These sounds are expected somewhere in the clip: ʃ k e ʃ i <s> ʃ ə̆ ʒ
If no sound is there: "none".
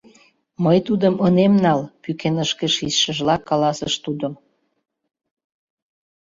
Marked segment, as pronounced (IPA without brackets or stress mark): s